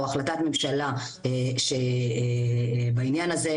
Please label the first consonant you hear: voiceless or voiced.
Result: voiceless